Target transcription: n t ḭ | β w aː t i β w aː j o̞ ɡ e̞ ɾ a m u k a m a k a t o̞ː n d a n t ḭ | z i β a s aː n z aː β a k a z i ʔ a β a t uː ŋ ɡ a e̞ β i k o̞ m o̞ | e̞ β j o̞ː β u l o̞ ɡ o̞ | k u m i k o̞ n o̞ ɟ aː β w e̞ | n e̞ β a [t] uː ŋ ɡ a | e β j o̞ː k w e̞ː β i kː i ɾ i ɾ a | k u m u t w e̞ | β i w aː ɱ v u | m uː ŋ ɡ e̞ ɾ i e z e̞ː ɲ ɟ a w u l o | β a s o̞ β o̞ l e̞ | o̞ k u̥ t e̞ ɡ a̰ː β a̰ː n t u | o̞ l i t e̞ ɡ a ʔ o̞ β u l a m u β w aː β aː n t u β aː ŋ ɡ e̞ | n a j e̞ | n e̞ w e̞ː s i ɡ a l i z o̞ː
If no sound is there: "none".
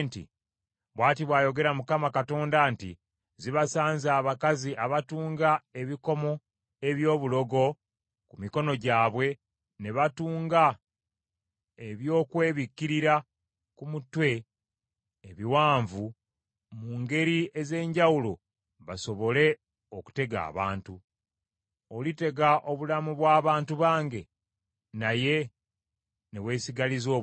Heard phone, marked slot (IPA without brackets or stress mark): t